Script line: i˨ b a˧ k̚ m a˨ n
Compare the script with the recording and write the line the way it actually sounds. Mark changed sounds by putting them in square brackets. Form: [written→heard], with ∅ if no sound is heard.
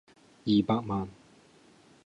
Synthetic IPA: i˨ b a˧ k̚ m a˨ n

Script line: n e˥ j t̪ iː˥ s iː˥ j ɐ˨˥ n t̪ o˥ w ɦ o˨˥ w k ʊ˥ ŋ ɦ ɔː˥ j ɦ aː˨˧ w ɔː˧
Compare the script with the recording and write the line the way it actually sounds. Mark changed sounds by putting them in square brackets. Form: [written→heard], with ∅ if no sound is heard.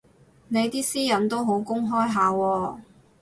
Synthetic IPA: n [e˥→e˨˧] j t̪ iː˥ s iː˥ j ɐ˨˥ n t̪ o˥ w ɦ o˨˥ w k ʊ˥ ŋ ɦ ɔː˥ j ɦ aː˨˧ w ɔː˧

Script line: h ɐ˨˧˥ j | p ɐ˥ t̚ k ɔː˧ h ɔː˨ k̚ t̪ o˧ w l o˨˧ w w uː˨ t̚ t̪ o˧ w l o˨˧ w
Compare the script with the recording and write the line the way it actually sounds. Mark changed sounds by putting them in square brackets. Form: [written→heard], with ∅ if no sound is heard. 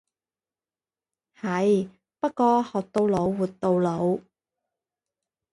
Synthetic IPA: h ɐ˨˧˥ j | p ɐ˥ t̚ k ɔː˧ h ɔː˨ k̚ t̪ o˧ w l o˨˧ w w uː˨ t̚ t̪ o˧ w l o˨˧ w

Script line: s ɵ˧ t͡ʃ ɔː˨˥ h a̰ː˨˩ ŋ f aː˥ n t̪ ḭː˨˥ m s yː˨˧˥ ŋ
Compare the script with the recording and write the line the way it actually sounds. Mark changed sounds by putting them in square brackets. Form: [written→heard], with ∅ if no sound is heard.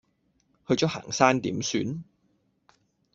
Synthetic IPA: [s→h] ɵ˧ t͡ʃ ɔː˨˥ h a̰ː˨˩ ŋ [f→s] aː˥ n t̪ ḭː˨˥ m s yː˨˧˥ [ŋ→n]

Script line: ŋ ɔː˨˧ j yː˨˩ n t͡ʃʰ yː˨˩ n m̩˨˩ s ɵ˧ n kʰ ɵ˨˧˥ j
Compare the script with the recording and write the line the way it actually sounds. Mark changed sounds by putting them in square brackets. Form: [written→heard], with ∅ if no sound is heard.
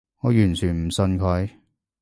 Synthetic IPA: ŋ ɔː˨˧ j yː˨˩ n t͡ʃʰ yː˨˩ n m̩˨˩ s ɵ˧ n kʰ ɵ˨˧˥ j

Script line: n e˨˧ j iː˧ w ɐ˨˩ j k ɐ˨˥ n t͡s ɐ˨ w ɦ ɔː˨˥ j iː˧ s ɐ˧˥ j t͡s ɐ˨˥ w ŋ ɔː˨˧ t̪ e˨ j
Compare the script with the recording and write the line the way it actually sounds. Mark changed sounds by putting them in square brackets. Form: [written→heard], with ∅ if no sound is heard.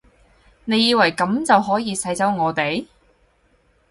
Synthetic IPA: n e˨˧ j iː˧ w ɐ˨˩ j k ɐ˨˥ [n→m] t͡s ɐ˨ w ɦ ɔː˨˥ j iː˧ s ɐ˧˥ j t͡s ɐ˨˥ w ŋ ɔː˨˧ t̪ e˨ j

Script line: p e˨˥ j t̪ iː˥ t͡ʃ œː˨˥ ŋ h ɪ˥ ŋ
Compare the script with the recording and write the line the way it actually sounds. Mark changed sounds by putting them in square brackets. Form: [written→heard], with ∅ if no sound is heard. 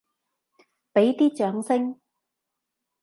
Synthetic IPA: p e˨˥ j t̪ iː˥ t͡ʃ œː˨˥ ŋ [h→s] ɪ˥ ŋ

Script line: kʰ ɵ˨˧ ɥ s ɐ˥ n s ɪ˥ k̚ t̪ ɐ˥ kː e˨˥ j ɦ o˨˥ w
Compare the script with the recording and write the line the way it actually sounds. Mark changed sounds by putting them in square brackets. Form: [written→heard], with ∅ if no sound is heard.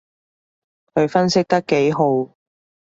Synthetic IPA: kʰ ɵ˨˧ ɥ [s→f] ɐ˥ n s ɪ˥ k̚ t̪ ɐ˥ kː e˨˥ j ɦ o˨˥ w

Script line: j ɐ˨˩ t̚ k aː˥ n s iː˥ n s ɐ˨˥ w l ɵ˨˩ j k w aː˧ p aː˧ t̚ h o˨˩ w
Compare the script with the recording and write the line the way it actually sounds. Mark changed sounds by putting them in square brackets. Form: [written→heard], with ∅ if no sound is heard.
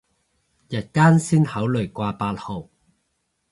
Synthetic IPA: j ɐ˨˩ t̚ k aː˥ n s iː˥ n [s→h] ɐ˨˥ w l ɵ˨˩ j k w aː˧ p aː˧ t̚ h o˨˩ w

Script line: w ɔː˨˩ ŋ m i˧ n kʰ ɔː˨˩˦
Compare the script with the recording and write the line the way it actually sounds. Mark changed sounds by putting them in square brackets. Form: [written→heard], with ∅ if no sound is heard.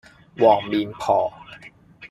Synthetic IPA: w ɔː˨˩ ŋ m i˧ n [kʰ→pʰ] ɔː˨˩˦

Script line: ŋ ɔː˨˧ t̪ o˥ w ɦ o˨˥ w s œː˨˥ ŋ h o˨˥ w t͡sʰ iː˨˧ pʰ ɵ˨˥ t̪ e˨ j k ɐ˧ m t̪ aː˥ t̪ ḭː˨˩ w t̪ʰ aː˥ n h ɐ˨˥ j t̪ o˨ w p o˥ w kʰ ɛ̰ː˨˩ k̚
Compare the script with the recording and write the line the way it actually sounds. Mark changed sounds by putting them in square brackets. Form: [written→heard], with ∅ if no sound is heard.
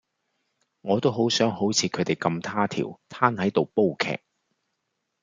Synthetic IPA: ŋ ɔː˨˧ t̪ o˥ w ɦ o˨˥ w s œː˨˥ ŋ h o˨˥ w t͡sʰ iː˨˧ [pʰ→kʰ] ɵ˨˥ t̪ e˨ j k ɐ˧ m [t̪→t̪ʰ] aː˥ [t̪→t̪ʰ] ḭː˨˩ w t̪ʰ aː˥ n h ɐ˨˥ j t̪ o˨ w p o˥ w kʰ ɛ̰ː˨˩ k̚

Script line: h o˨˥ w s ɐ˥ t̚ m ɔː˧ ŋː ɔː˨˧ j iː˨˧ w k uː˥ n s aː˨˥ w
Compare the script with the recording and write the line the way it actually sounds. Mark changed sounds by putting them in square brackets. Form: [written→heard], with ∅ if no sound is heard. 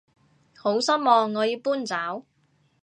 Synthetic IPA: h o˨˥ w s ɐ˥ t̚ m ɔː˧ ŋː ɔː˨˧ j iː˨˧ w [k→p] uː˥ n [s→t͡s] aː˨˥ w

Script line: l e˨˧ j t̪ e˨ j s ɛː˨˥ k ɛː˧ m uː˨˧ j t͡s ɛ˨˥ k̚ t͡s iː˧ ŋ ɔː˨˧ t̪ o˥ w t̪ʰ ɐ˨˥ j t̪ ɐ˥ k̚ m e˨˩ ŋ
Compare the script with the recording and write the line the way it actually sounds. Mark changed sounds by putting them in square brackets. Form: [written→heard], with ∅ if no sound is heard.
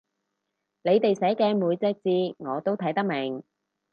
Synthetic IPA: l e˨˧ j t̪ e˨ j s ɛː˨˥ k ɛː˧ m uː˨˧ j t͡s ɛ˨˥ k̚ t͡s iː˧ ŋ ɔː˨˧ t̪ o˥ w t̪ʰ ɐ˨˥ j t̪ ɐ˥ k̚ m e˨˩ ŋ

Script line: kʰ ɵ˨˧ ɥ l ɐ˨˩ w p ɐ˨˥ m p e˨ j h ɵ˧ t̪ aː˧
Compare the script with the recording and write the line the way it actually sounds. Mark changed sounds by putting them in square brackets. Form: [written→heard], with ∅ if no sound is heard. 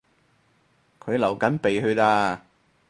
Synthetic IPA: kʰ ɵ˨˧ ɥ l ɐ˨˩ w [p→k] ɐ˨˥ [m→n] p e˨ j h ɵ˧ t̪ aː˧

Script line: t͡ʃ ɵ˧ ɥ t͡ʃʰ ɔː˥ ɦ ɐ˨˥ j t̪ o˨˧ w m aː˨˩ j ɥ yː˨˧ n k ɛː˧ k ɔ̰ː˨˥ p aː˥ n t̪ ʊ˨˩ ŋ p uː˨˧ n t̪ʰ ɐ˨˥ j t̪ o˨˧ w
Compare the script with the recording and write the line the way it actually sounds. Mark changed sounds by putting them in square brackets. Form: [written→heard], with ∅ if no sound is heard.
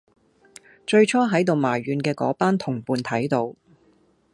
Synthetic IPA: t͡ʃ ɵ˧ ɥ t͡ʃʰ ɔː˥ ɦ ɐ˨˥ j t̪ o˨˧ w m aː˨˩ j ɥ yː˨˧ n k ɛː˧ k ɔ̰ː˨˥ p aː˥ n [t̪→t̪ʰ] ʊ˨˩ ŋ p uː˨˧ n t̪ʰ ɐ˨˥ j t̪ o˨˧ w

